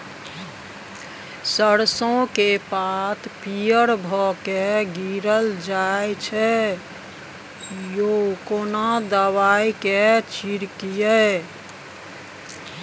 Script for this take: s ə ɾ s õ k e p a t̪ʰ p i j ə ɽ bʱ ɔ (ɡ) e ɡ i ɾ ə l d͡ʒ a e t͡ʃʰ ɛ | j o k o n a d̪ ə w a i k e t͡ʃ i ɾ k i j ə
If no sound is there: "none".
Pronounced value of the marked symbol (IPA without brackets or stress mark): k